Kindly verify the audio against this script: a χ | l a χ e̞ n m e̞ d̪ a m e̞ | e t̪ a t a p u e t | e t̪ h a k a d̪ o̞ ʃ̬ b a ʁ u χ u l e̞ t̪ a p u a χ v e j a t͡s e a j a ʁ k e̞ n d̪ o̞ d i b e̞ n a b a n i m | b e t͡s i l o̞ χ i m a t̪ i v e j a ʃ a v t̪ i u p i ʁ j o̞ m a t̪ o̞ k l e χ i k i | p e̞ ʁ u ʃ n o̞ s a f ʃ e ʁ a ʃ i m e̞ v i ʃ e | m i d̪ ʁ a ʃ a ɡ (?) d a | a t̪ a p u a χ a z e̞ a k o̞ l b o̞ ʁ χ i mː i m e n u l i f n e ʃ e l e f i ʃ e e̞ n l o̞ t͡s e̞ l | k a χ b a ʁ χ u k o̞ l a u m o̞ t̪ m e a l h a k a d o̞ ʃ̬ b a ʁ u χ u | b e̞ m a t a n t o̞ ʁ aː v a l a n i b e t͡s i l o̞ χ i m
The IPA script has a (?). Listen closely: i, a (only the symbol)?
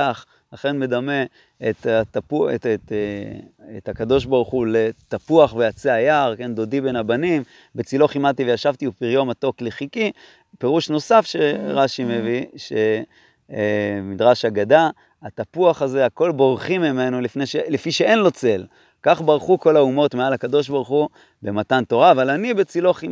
a